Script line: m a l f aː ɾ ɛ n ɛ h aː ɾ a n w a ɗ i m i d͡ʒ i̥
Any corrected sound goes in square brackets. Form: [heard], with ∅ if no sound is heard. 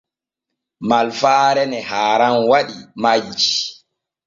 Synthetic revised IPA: m a l f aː ɾ ɛ n ɛ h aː ɾ a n w a ɗ i m [a] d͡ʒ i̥